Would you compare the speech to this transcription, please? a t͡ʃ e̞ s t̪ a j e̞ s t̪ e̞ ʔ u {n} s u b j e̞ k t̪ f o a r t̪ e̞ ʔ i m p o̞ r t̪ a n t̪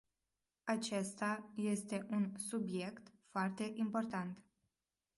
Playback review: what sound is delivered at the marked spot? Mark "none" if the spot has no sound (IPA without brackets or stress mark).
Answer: n